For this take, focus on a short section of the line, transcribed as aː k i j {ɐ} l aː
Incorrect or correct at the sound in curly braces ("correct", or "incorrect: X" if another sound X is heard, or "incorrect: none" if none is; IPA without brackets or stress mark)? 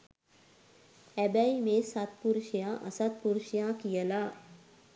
incorrect: ə